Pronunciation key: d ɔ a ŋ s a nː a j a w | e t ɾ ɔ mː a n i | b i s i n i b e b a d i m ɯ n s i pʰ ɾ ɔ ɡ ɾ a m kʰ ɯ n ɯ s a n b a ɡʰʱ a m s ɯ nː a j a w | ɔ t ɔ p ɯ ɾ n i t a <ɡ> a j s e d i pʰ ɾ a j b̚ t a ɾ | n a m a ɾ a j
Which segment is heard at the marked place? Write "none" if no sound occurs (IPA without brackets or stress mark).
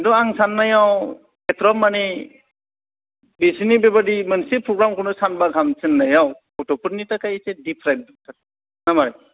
k